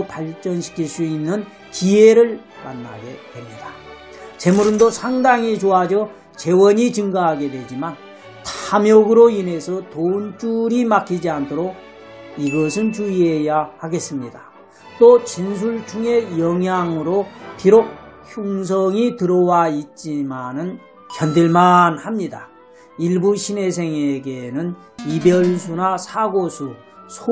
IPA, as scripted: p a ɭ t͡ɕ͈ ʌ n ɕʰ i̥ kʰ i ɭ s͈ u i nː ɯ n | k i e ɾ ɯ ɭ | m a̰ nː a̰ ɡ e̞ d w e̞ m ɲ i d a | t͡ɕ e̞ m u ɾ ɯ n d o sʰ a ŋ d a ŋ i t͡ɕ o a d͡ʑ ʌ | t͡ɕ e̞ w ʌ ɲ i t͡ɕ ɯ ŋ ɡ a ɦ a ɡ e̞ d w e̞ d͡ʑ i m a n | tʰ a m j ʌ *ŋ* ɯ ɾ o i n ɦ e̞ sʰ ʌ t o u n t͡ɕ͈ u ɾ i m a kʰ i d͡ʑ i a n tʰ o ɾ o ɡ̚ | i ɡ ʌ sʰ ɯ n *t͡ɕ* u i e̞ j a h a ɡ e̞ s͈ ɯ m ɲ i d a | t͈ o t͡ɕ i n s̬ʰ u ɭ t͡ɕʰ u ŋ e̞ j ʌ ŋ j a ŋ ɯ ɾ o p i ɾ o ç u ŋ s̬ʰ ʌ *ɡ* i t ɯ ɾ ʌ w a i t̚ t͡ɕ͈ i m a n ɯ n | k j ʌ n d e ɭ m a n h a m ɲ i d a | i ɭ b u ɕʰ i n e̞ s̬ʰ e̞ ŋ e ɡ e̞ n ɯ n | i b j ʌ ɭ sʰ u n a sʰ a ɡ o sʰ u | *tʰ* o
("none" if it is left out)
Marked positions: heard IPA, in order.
ɡ, t͡ɕ, ŋ, sʰ

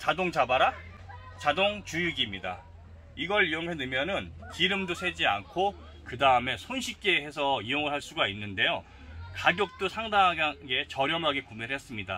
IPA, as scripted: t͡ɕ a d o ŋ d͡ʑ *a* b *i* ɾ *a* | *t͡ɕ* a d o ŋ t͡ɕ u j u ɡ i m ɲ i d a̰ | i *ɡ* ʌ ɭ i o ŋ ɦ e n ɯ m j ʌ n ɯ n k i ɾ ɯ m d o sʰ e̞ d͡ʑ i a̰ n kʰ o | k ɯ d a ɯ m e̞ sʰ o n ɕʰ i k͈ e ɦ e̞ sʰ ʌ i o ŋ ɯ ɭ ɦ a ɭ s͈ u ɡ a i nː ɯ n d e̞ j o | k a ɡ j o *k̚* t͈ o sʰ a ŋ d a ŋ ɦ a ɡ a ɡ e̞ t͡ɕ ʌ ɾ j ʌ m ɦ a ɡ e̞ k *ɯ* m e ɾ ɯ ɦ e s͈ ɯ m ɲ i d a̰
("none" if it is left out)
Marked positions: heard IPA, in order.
a, a, a, t͡ɕ, ɡ, k̚, u

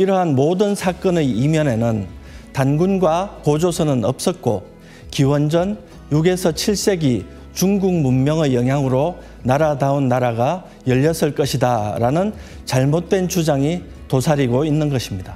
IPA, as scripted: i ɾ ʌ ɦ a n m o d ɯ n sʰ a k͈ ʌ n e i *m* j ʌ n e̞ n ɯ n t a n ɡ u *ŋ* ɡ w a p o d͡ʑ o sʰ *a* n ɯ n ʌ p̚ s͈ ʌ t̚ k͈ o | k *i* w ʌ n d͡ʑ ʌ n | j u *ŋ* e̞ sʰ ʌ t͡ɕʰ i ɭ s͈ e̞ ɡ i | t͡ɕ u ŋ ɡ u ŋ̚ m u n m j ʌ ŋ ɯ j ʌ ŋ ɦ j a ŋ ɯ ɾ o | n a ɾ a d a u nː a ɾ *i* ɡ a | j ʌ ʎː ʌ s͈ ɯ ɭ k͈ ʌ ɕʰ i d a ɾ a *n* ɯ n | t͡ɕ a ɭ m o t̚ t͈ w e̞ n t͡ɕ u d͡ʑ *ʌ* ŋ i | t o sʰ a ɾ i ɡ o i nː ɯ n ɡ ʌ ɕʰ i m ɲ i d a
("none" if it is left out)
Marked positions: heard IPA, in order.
m, n, ʌ, i, ɡ, a, n, a

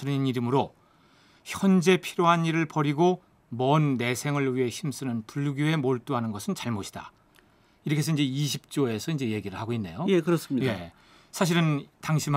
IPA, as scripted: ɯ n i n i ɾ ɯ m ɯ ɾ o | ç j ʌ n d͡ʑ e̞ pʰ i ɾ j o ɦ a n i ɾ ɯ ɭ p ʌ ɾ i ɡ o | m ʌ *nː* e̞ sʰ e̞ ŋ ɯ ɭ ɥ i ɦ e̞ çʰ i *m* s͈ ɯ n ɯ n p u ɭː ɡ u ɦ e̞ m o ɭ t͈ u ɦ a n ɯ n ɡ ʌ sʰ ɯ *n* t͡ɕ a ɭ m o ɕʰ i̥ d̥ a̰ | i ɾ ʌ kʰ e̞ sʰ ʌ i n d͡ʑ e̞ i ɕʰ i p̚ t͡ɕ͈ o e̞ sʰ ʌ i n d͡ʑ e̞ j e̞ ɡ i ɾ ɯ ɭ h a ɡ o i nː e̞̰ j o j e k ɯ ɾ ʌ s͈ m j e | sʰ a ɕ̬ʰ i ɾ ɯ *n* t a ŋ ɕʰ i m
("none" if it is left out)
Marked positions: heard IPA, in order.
nː, m, n, n

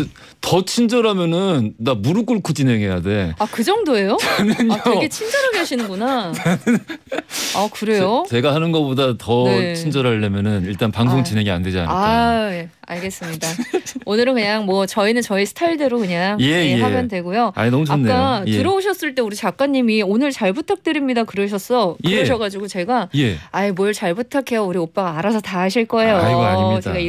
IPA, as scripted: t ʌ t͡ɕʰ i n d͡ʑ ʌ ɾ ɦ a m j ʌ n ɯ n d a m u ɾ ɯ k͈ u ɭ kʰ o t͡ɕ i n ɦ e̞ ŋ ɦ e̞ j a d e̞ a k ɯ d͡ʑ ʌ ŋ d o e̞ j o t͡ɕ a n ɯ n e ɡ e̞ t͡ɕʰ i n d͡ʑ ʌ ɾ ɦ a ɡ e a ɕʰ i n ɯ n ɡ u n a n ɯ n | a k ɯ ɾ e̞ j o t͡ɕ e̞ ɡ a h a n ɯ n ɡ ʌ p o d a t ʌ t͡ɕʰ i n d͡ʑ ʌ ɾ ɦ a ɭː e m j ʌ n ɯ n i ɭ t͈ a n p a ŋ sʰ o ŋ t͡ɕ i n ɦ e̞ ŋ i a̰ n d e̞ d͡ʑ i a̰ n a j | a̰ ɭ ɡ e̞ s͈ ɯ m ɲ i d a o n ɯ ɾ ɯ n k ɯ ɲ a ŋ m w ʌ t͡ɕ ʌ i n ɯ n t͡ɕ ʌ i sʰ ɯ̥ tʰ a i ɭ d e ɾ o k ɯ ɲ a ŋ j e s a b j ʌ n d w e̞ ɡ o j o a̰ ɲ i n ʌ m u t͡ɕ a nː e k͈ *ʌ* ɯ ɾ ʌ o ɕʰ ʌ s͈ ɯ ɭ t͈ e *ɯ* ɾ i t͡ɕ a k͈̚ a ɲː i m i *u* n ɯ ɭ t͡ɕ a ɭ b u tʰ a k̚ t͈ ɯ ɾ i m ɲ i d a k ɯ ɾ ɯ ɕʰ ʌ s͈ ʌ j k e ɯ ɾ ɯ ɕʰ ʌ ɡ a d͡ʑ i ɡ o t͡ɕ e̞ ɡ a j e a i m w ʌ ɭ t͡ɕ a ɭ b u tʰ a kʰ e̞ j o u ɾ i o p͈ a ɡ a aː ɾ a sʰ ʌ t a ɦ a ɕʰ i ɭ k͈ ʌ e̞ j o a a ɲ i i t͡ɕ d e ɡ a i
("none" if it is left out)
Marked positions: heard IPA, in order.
a, u, o

